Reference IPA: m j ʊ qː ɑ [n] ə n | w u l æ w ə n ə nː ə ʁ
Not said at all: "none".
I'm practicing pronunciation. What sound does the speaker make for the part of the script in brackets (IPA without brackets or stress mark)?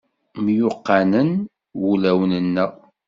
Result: n